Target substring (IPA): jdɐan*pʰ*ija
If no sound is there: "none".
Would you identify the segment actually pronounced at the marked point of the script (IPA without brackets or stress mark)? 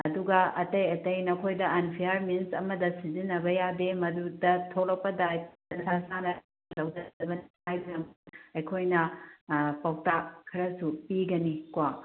pʰ